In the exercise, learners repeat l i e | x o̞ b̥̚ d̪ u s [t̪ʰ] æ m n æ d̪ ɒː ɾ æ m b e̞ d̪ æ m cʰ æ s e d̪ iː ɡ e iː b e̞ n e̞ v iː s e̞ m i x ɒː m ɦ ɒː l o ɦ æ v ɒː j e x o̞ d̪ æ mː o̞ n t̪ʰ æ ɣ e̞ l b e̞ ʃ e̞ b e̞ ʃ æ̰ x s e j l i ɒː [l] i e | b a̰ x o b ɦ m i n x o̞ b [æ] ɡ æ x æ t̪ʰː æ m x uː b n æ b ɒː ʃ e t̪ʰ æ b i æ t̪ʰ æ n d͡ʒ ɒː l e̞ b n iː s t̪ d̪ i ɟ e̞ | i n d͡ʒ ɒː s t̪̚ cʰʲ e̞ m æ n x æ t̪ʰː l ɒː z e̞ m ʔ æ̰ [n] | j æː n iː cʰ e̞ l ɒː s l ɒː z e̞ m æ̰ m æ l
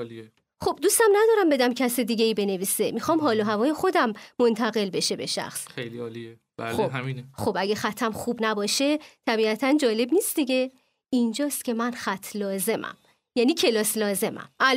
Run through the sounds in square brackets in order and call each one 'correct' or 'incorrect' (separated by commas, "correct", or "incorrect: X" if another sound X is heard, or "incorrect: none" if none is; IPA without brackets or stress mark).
incorrect: t̪, correct, correct, incorrect: m